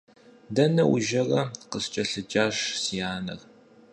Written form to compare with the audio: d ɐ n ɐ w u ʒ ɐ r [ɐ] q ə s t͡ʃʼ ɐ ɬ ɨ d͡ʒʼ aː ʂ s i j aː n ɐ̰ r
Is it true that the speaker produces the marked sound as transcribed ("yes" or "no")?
yes